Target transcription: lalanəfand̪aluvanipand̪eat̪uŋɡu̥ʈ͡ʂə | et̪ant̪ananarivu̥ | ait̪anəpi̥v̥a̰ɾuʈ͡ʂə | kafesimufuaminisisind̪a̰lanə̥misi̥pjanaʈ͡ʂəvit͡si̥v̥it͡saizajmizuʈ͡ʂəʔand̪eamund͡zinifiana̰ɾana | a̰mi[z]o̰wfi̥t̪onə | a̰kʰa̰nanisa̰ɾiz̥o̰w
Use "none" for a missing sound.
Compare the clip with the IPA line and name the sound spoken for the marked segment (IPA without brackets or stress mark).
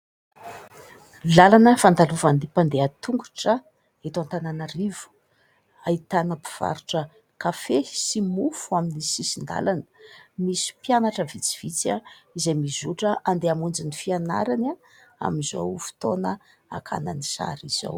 z